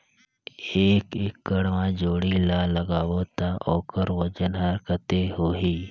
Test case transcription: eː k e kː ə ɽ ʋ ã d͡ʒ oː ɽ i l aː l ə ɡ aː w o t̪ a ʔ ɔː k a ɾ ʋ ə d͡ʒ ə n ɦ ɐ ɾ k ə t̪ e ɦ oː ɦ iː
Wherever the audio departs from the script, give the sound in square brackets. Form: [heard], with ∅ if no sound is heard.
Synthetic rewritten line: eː k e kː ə ɽ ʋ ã d͡ʒ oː ɽ i l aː l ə ɡ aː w o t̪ a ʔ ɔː k [ə] ɾ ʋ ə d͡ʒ ə n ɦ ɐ ɾ k ə t̪ e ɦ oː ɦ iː